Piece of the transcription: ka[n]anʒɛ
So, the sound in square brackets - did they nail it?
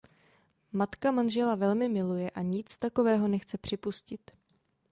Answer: no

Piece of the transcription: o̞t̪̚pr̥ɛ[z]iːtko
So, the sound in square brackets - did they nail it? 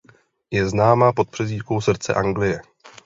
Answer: yes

